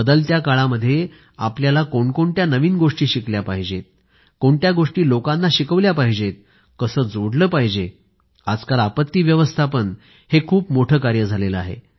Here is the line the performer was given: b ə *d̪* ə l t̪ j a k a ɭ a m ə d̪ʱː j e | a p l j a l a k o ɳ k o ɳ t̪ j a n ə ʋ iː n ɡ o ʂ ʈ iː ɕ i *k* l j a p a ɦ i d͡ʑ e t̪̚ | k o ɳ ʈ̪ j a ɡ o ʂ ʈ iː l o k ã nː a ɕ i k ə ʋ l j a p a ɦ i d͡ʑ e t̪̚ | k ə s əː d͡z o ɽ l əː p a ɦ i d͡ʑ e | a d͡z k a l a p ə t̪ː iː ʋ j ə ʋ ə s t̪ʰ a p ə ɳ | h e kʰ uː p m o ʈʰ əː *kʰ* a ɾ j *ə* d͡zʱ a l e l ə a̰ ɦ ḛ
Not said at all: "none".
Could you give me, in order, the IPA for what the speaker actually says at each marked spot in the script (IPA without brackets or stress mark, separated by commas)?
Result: d̪, k, k, ə